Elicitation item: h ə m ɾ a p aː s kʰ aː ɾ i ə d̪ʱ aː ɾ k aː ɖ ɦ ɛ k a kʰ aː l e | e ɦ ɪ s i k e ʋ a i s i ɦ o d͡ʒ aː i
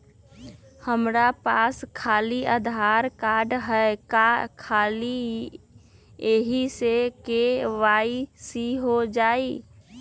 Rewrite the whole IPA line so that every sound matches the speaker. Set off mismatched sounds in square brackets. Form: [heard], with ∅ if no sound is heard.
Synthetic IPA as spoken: h ə m ɾ a p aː s kʰ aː [l] i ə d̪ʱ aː ɾ k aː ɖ ɦ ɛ k a kʰ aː l [i] | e ɦ [i] s [e] k e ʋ a i s i ɦ o d͡ʒ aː i